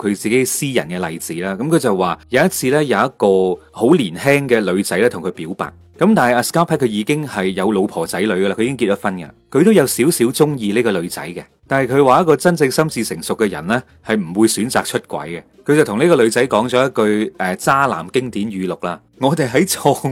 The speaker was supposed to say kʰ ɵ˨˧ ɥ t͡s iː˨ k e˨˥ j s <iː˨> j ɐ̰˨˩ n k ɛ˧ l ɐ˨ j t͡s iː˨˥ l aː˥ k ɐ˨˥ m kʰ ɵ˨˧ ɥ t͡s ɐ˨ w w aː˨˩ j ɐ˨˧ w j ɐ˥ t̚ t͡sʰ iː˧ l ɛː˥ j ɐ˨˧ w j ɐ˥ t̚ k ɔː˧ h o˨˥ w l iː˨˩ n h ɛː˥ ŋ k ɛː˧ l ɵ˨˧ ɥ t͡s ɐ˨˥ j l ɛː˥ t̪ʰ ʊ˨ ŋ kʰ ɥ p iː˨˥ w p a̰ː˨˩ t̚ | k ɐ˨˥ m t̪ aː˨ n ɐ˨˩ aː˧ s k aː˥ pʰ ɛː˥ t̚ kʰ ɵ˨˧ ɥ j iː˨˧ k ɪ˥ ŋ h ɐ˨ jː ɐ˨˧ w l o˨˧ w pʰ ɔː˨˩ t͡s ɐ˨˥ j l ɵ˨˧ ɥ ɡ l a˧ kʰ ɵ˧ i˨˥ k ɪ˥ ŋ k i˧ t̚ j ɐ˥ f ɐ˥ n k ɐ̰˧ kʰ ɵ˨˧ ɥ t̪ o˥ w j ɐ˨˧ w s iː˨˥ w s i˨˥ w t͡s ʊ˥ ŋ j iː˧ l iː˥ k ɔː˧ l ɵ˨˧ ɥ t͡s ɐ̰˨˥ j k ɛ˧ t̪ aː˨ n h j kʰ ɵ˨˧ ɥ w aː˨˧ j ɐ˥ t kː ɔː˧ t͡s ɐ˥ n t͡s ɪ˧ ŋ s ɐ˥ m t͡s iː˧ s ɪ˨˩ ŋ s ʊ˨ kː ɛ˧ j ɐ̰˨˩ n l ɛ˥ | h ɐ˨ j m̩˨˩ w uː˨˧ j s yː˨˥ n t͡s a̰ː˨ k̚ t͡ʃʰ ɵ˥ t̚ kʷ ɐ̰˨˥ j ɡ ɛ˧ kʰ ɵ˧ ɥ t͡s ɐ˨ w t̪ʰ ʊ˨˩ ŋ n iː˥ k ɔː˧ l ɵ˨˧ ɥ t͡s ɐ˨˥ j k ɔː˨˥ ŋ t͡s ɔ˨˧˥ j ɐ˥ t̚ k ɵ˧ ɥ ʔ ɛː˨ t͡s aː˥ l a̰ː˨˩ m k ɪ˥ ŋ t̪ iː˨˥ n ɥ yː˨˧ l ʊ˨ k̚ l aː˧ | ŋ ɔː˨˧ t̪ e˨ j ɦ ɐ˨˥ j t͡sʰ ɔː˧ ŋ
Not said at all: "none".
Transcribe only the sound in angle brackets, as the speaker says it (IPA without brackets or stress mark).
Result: iː˥